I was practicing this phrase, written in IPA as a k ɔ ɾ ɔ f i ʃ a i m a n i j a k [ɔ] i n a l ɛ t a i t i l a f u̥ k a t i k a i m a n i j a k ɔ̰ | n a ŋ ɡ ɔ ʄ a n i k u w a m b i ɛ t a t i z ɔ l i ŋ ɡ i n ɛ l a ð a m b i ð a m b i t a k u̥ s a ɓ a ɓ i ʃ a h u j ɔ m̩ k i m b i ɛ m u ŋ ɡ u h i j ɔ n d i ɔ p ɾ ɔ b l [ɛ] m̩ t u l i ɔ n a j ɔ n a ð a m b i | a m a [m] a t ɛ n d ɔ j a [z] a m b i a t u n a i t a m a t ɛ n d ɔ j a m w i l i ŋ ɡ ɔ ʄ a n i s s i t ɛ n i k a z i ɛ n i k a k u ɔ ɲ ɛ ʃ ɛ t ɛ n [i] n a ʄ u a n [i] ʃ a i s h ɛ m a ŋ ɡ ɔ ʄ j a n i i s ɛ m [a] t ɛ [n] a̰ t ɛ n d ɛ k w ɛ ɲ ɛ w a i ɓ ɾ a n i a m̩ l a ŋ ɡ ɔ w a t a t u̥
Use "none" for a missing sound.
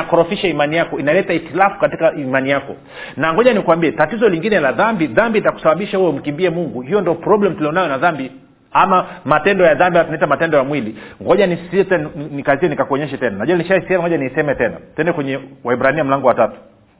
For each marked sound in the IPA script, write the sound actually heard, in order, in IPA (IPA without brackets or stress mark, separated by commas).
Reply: ɔ, ɛ, m, ð, a, i, ɛ, n